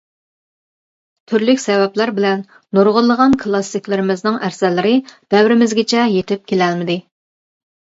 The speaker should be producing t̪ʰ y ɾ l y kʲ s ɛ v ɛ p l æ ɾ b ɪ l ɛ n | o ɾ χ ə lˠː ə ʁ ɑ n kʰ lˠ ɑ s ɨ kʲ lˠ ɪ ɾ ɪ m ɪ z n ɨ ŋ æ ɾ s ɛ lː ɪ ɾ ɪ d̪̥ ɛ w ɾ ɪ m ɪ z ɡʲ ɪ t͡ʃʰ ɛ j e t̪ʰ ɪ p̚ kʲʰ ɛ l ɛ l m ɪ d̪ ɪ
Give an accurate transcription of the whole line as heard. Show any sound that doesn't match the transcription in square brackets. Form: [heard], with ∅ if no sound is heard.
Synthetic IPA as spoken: t̪ʰ y ɾ l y kʲ s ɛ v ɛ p l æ ɾ b ɪ l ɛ [nː] | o ɾ [ʁ] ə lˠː ə ʁ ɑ n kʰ lˠ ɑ s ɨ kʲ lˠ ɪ ɾ ɪ m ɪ z n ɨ ŋ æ ɾ s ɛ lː ɪ ɾ ɪ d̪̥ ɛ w ɾ ɪ m ɪ z ɡʲ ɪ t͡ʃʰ ɛ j e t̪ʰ ɪ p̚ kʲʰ [e] l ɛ l m ɪ d̪ ɪ

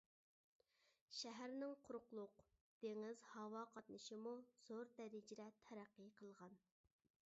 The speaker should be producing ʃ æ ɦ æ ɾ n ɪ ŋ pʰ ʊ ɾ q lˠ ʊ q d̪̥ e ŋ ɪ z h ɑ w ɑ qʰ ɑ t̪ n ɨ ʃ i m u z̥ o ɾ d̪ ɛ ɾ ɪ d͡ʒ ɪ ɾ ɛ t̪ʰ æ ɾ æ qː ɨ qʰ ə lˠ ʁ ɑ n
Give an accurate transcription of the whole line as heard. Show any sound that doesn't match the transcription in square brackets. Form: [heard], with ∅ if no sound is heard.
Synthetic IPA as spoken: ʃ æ ɦ æ ɾ n ɪ ŋ [qʰ] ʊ ɾ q lˠ ʊ q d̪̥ e ŋ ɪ z h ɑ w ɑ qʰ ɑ t̪ n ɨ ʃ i m u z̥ o ɾ d̪ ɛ ɾ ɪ d͡ʒ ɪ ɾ ɛ t̪ʰ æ ɾ æ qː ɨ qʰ ə lˠ ʁ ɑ n

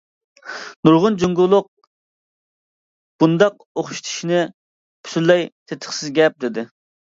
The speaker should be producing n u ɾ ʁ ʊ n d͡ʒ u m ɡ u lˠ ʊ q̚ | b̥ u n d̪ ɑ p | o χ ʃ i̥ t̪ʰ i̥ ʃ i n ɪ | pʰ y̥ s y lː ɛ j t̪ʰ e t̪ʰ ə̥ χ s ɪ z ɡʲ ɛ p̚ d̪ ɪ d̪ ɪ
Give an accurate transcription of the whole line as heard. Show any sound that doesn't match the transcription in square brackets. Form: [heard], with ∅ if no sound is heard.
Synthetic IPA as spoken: n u ɾ ʁ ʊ n d͡ʒ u [ŋ] ɡ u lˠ ʊ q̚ | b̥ u n d̪ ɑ [q] | o χ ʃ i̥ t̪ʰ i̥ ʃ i n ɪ | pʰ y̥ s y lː ɛ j t̪ʰ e t̪ʰ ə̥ χ s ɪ z ɡʲ ɛ p̚ d̪ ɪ d̪ ɪ

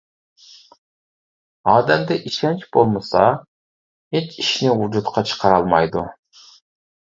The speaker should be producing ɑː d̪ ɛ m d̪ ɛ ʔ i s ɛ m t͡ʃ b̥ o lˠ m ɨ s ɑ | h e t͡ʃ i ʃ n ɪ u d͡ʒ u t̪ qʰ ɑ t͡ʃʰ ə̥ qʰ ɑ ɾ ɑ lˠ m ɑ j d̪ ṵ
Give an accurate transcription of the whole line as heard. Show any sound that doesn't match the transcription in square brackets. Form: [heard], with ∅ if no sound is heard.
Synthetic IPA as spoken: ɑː d̪ ɛ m d̪ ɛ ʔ i [ʃ] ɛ [n] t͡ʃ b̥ o lˠ m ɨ s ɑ | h e t͡ʃ i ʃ n ɪ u d͡ʒ u t̪ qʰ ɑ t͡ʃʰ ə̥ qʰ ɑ ɾ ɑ lˠ m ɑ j d̪ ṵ

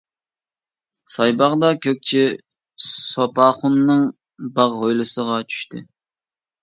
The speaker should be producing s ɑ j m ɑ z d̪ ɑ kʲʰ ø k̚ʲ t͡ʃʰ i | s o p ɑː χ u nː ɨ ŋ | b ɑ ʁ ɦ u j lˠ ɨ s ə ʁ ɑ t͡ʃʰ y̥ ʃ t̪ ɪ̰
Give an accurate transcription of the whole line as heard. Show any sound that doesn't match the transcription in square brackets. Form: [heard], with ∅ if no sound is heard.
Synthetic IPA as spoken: s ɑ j [b] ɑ [ʁ] d̪ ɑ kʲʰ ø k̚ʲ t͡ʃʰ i | s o p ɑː χ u nː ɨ ŋ | b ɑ ʁ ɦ [o] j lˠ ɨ s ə ʁ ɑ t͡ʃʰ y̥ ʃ t̪ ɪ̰

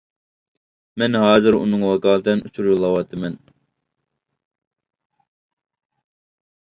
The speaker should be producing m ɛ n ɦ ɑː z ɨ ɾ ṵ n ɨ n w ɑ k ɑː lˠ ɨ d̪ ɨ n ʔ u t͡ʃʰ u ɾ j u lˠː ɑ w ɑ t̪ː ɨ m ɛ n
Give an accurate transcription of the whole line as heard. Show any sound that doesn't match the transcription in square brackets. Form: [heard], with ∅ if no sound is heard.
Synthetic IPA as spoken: m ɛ n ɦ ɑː z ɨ ɾ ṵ n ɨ [ŋ] w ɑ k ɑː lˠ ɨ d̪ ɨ n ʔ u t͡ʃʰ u ɾ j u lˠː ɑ w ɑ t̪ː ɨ m ɛ n

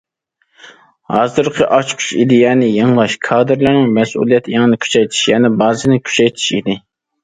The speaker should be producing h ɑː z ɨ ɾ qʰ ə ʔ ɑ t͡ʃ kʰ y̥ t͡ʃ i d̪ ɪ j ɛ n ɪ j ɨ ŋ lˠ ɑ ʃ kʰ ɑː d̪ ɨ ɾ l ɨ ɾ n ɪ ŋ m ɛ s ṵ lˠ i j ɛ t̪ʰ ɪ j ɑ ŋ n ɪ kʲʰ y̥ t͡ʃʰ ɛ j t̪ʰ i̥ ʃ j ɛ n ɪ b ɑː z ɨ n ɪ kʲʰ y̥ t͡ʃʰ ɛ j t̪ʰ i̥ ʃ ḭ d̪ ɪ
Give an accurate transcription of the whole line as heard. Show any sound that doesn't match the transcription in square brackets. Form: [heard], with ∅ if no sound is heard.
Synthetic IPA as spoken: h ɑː z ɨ ɾ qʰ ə ʔ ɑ t͡ʃ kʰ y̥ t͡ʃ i d̪ ɪ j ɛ n ɪ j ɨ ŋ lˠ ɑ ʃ kʰ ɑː d̪ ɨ ɾ l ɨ ɾ n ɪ ŋ m ɛ s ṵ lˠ i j ɛ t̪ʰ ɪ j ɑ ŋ n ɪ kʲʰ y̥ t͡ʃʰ ɛ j t̪ʰ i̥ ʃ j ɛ n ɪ b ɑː z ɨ n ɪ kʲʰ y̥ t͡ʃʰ ɛ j t̪ʰ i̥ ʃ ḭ d̪ ɪ

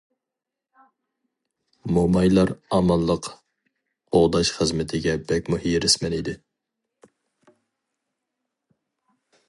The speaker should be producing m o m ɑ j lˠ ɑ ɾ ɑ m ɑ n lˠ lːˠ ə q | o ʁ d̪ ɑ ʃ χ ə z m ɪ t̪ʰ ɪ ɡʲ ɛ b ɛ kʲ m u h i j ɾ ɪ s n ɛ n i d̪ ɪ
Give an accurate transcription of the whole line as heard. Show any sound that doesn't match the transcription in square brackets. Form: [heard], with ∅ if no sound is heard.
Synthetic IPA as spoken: m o m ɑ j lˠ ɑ ɾ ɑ m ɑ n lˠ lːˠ ə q | o ʁ d̪ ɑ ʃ χ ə z m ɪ t̪ʰ ɪ ɡʲ ɛ b ɛ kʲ m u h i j ɾ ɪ s [m] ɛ n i d̪ ɪ

